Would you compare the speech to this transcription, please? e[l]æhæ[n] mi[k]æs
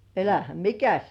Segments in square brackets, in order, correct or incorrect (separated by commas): correct, incorrect, correct